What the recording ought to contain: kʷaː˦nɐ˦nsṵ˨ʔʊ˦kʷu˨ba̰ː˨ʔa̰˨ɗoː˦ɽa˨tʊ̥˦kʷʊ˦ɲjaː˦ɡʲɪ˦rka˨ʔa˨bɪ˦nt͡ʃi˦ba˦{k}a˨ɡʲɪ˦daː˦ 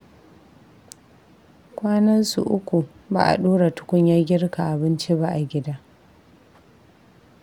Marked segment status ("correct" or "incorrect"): incorrect